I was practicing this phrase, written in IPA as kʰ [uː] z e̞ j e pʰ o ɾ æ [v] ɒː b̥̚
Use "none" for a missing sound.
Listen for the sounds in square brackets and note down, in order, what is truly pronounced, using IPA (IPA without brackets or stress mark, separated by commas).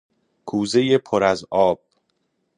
uː, z